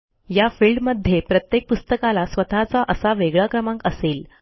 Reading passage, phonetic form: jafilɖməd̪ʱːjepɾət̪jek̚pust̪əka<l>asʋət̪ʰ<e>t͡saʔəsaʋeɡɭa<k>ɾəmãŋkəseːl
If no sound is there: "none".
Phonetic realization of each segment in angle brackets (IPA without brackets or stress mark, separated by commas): l, a, k